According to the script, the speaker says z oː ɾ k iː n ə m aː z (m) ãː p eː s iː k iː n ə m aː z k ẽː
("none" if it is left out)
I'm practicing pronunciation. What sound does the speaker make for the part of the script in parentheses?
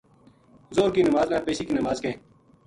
n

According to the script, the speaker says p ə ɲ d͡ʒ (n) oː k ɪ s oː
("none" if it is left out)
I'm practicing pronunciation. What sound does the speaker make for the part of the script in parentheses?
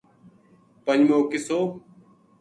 m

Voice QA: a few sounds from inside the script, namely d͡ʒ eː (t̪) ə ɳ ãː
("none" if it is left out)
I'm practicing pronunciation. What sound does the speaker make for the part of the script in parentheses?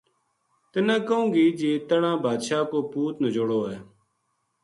t̪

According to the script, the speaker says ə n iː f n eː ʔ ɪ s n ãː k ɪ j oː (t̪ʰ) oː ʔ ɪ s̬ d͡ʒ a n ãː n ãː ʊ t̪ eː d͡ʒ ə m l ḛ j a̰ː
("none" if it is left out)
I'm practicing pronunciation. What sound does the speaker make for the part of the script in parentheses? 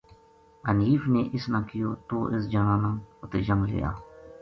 t̪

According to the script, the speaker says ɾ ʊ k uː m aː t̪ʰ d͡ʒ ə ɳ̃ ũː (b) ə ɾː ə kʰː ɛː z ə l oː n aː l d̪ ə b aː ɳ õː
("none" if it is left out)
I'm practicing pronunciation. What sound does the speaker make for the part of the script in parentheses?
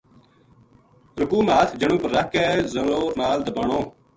p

